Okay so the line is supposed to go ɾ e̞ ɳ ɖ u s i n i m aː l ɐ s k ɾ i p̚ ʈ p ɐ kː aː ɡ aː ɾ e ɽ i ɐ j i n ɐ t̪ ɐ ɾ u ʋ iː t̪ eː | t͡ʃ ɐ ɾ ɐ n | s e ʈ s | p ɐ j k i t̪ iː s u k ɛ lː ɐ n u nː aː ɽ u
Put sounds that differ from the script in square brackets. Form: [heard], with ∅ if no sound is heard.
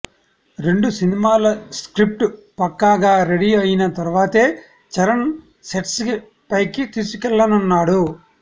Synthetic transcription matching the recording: ɾ e̞ ɳ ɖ u s i n i m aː l ɐ s k ɾ i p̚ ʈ p ɐ kː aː ɡ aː ɾ e ɽ i ɐ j i n ɐ t̪ ɐ ɾ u ʋ [aː] t̪ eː | t͡ʃ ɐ ɾ ɐ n | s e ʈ s | p ɐ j k i t̪ iː s u k ɛ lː ɐ n u nː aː ɽ u